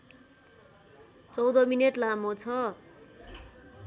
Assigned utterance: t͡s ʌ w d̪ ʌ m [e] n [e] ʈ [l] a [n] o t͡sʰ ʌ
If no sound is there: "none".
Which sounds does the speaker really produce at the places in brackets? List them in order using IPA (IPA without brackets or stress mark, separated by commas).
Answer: i, e, l, m